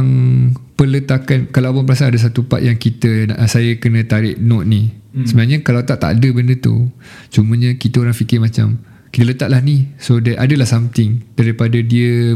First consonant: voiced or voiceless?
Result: voiced